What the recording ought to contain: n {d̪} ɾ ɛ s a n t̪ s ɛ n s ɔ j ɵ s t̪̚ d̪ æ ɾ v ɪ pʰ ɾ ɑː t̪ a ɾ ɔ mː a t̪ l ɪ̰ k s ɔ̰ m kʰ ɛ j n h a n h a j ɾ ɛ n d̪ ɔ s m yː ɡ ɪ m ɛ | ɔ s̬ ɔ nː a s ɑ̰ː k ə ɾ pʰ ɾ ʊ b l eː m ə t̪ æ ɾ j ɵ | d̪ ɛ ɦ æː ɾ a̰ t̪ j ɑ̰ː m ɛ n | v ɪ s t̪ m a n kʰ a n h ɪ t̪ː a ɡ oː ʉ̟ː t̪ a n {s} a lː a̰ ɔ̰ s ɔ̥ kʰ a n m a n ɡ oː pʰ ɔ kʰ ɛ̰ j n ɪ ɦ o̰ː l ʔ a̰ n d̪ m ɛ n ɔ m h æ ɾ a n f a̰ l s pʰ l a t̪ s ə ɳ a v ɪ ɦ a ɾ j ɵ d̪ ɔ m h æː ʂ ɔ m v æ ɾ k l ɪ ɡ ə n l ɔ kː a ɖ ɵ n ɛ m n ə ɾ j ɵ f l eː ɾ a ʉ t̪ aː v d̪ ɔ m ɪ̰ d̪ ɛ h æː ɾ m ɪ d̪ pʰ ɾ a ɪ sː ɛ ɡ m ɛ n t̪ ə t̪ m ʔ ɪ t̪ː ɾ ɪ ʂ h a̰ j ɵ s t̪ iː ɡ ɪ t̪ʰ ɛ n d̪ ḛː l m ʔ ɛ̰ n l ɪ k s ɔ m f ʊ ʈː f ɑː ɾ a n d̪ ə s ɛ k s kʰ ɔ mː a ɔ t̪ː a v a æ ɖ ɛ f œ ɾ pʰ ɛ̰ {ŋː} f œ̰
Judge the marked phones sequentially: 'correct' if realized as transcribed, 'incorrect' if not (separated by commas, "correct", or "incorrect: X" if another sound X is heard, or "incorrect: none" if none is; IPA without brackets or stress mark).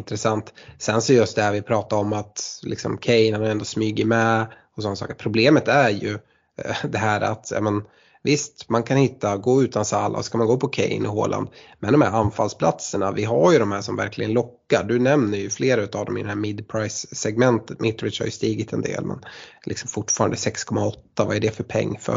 incorrect: t̪, correct, correct